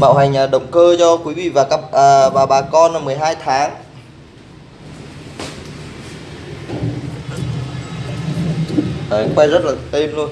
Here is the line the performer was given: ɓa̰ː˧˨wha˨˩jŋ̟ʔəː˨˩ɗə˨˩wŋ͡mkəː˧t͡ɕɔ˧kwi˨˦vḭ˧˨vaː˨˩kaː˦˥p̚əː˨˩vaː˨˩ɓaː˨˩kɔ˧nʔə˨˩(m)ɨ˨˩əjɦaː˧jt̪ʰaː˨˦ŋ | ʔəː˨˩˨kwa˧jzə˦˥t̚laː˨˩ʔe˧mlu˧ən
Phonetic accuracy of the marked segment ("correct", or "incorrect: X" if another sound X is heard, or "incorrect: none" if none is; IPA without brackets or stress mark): correct